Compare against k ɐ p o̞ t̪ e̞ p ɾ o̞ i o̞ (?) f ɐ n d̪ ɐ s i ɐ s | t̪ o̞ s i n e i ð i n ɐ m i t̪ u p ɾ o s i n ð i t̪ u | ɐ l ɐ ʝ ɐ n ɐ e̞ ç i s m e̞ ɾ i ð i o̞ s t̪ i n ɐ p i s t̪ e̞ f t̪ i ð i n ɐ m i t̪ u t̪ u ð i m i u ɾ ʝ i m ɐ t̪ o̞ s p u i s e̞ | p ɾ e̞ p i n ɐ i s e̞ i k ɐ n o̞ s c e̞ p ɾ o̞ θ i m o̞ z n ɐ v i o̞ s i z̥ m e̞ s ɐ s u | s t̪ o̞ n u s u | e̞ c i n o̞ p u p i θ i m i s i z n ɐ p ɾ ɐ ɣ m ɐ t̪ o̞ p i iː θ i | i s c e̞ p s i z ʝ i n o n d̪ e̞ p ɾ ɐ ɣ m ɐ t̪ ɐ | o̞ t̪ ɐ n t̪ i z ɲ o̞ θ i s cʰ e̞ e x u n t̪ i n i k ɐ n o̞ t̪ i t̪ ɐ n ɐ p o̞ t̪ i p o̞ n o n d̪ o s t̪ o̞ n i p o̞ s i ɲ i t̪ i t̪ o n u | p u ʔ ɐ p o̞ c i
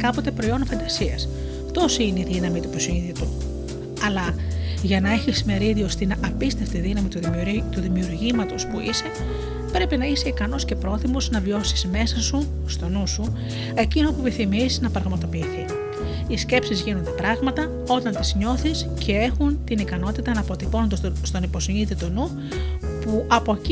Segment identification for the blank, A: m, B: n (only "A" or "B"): B